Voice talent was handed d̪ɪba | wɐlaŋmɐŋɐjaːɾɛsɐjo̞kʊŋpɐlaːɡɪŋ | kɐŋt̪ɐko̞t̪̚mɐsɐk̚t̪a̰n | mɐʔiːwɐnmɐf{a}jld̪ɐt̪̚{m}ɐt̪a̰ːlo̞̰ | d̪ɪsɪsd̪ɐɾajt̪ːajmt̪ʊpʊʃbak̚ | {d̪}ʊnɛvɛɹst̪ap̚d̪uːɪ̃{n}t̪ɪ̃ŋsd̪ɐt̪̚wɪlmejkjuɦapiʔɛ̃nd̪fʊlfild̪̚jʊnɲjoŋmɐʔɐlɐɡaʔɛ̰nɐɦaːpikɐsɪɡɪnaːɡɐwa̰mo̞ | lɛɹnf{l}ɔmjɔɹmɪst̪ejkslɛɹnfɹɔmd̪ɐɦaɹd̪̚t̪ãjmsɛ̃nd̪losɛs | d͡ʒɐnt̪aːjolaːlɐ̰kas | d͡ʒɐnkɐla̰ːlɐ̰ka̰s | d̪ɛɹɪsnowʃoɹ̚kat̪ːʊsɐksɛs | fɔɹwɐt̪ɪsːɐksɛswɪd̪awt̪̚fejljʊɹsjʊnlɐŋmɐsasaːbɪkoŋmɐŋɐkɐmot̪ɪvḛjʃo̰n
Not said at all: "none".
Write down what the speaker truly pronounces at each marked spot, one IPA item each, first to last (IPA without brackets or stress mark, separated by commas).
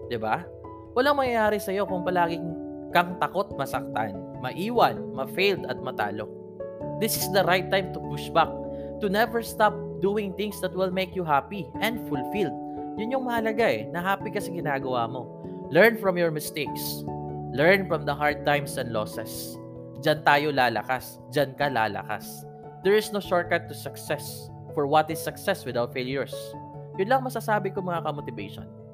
e, m, t̪, ŋ, ɹ